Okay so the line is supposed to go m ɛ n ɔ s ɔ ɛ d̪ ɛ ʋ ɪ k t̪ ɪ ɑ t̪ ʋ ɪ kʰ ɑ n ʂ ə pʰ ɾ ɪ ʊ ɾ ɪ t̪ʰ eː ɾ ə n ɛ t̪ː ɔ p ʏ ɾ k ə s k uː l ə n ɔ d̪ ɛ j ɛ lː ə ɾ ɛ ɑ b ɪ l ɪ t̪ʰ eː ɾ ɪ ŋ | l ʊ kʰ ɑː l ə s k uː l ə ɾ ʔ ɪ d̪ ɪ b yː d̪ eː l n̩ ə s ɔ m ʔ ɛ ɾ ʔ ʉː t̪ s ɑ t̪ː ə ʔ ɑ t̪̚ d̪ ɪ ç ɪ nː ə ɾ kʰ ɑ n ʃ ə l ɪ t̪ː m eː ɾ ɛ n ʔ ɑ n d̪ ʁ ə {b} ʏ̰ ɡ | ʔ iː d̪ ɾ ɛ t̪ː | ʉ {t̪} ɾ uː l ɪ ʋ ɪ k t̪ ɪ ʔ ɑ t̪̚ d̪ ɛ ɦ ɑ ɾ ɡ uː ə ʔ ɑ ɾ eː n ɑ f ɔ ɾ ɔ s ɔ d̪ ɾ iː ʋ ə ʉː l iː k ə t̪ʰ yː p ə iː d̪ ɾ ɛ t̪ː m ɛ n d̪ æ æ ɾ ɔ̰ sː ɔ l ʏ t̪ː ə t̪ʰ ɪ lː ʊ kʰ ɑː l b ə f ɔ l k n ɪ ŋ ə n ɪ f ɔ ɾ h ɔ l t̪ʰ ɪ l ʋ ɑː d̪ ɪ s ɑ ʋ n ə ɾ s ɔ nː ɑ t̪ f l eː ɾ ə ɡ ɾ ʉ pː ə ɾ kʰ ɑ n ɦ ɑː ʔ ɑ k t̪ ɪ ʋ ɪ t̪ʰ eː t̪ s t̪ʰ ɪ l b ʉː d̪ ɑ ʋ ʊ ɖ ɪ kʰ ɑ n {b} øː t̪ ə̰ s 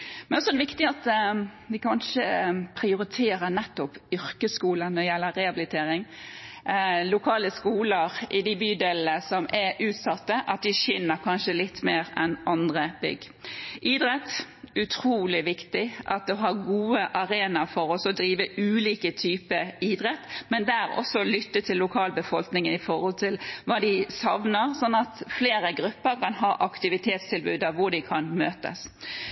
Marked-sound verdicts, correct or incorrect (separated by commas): correct, incorrect, incorrect